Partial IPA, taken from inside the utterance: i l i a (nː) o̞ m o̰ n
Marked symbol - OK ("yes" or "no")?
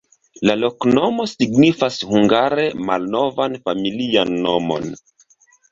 yes